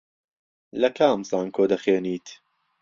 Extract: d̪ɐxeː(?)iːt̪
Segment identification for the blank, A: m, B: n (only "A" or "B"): B